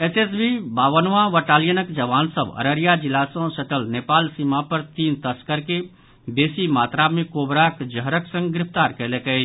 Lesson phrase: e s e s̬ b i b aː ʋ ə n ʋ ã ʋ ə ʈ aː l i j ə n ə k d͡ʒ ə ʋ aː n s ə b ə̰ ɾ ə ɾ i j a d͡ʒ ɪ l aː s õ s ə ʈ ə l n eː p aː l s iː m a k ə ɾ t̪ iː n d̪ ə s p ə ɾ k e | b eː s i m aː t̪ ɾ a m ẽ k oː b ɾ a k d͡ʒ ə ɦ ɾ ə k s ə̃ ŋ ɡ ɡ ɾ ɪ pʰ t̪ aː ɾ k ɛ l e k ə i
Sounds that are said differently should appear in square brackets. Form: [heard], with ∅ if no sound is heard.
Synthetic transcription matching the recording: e s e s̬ b i b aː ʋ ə n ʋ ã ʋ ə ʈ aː l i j ə n ə k d͡ʒ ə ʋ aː n s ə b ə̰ ɾ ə ɾ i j a d͡ʒ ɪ l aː s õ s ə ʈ ə l n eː p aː l s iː m a [p] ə ɾ t̪ iː n [t̪] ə s [k] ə ɾ k e | b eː s i m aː t̪ ɾ a m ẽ k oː b ɾ a k d͡ʒ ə ɦ ɾ ə k s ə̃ ŋ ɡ ɡ ɾ ɪ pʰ t̪ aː ɾ k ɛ l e k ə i

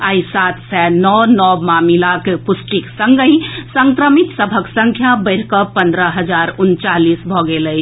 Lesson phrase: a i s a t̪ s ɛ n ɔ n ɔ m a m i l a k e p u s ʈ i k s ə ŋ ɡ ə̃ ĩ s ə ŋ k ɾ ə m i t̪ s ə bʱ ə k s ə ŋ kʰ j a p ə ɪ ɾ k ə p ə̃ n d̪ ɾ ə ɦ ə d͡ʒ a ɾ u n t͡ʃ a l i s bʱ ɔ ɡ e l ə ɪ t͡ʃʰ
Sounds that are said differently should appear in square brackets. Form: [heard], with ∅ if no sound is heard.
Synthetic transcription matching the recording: a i s a t̪ s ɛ n ɔ n ɔ m a m i l a k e p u s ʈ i k s ə ŋ ɡ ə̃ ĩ s ə ŋ k ɾ ə m i t̪ s ə bʱ ə k s ə ŋ kʰ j a [b] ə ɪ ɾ k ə p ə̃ n d̪ ɾ ə ɦ ə d͡ʒ a ɾ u n t͡ʃ a l i s bʱ ɔ ɡ e l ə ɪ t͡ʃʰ

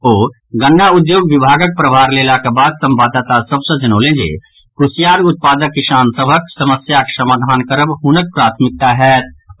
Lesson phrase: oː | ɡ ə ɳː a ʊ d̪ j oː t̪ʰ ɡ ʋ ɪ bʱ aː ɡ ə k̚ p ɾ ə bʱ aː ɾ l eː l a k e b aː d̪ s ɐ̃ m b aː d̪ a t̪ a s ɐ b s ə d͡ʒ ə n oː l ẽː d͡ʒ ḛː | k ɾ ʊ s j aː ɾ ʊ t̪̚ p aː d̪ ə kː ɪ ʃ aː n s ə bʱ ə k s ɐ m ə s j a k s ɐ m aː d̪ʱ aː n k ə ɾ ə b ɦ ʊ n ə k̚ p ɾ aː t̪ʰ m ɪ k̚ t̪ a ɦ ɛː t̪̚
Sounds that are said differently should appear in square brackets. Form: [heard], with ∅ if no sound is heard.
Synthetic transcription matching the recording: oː | ɡ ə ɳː a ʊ d̪ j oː [∅] ɡ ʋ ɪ bʱ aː ɡ ə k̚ p ɾ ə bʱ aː ɾ l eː l a k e b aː d̪ s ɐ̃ m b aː d̪ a t̪ a s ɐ b s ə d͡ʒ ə n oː l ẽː d͡ʒ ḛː | k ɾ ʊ s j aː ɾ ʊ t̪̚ p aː d̪ ə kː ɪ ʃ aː n s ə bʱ ə k s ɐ m ə s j a k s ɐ m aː d̪ʱ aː n k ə ɾ ə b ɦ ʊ n ə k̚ p ɾ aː t̪ʰ m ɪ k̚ t̪ a ɦ ɛː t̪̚

